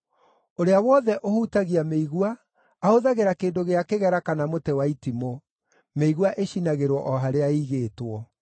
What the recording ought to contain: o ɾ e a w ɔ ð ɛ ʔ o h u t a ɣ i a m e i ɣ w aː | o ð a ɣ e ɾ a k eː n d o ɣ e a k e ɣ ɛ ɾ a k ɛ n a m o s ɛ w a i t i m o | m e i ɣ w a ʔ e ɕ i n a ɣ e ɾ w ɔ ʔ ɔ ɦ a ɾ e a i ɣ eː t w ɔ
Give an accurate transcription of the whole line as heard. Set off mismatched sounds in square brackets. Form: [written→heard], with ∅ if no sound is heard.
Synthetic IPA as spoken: o ɾ e a w ɔ ð ɛ ʔ o h u t a ɣ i a m e i ɣ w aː | o ð a ɣ e ɾ a k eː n d o ɣ e a k e ɣ ɛ ɾ a k [ɛ→a] n a m o [s→t] ɛ w a i t i m o | m e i ɣ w a ʔ e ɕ i n a ɣ e ɾ w ɔ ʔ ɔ ɦ a ɾ e a i ɣ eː t w ɔ